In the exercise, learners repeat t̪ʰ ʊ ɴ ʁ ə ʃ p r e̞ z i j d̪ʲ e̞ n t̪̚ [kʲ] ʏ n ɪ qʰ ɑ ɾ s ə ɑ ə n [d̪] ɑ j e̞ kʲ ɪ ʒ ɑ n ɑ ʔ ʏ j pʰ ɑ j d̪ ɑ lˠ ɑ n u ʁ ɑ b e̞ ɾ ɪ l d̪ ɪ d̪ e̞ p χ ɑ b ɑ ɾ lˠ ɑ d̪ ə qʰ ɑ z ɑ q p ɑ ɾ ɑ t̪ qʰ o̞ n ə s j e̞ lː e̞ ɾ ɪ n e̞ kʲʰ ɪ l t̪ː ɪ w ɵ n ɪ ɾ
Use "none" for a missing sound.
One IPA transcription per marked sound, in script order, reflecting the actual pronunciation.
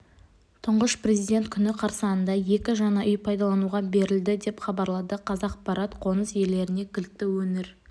kʲʰ, d̪

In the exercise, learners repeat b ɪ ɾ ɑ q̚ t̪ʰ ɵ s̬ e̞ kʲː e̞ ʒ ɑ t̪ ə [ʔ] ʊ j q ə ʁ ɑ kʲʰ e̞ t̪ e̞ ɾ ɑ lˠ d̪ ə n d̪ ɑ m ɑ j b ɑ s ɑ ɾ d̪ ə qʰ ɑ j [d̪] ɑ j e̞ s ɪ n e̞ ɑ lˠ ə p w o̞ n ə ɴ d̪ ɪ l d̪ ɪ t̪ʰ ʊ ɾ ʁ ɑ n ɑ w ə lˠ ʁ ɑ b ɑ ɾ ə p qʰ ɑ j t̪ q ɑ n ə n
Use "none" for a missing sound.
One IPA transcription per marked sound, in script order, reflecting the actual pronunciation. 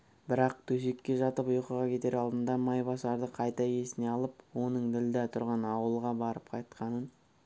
p, t̪

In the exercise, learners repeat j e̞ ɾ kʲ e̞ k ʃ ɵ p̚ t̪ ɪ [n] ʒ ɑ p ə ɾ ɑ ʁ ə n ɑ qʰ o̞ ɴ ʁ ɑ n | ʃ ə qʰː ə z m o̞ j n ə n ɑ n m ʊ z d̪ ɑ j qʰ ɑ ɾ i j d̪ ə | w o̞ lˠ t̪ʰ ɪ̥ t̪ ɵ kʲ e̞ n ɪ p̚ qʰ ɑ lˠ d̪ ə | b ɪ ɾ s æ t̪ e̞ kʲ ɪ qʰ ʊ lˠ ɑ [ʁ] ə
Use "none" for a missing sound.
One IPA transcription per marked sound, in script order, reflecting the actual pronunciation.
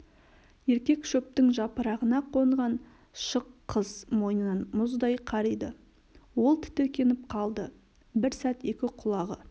ŋ, ʁ

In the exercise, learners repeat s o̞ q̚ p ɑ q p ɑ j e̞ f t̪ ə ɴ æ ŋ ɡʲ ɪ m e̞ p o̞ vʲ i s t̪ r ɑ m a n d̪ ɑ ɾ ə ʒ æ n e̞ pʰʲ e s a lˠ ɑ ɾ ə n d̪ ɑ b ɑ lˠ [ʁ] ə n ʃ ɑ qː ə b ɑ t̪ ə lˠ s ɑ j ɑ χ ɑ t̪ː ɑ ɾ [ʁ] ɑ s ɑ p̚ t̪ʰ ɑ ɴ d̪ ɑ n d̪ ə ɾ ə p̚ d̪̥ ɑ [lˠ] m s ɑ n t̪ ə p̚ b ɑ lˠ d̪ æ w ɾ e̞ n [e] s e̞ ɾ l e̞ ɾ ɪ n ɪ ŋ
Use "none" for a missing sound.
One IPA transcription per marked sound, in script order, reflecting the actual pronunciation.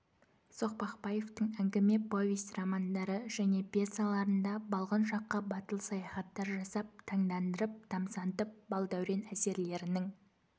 ʁ, ʒ, none, æ

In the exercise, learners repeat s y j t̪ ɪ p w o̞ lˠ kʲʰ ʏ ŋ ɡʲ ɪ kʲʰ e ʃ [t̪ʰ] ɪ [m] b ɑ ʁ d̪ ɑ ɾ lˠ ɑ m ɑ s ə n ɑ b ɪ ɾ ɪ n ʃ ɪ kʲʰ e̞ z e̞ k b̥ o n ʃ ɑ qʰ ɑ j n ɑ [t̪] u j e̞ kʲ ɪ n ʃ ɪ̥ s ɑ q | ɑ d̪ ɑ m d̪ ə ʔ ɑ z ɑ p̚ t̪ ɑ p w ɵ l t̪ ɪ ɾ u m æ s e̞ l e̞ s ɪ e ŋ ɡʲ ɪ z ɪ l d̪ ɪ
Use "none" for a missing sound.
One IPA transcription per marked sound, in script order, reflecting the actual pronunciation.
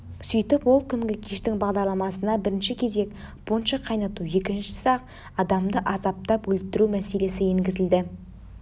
t̪, ŋ, t̪

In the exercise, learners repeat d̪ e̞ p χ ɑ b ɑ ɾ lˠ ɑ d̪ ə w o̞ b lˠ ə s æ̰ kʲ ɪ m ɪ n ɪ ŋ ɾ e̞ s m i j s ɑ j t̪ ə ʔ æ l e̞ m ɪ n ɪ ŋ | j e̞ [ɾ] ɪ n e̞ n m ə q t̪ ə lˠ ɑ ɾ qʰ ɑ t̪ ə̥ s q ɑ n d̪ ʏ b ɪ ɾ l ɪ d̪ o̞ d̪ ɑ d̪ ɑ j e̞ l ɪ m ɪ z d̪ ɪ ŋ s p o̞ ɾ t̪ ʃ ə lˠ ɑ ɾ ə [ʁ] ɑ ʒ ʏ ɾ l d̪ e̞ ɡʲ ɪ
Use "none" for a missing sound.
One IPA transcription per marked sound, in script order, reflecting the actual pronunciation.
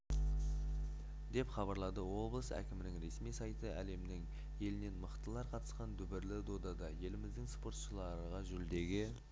l, ʁ

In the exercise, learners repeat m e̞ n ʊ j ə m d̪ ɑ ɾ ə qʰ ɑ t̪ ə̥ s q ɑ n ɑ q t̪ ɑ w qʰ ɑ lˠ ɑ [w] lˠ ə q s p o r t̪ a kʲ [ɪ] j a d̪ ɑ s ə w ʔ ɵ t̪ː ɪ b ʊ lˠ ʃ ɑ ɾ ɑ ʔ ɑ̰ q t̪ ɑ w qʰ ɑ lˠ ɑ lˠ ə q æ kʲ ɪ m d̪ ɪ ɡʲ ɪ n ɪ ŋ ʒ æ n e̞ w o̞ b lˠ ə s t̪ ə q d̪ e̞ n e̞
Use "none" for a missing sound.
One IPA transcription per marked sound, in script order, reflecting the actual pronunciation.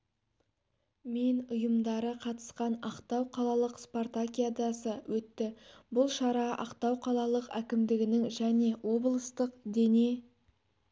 none, i

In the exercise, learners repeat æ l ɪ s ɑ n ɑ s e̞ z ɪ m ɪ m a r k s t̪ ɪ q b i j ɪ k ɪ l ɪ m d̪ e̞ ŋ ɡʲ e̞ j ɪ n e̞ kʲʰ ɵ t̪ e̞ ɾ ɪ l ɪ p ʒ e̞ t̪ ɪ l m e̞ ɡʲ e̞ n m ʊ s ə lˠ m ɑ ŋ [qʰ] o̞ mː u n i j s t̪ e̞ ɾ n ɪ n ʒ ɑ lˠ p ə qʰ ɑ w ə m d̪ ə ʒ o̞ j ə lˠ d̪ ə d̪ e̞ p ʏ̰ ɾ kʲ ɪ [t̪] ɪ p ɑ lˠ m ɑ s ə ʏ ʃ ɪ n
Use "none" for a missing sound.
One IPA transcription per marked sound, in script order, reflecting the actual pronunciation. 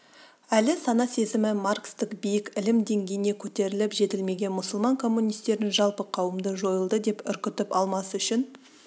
kʰ, t̪

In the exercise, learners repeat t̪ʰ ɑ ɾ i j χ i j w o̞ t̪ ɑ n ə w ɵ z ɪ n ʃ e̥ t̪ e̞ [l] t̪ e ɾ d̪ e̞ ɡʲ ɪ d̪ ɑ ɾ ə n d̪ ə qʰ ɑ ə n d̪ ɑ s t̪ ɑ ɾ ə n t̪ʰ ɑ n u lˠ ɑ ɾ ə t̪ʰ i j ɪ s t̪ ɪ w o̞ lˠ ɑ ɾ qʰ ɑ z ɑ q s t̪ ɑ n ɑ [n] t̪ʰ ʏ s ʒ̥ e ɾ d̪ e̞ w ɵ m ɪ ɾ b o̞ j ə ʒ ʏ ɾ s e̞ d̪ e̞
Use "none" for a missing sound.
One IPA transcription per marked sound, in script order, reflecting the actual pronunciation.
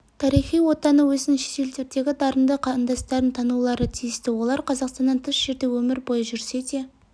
l, n

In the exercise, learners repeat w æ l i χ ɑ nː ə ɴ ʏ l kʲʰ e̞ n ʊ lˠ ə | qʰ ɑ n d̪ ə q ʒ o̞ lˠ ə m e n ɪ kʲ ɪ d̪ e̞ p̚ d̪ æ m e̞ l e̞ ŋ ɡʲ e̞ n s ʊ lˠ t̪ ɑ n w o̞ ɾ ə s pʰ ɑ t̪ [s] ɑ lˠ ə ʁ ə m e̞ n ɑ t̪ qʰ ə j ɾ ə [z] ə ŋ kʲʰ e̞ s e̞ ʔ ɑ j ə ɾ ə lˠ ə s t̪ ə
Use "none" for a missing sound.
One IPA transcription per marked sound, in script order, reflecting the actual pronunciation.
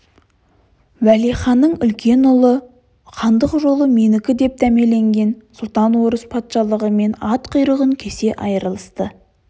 ʃ, ʁ

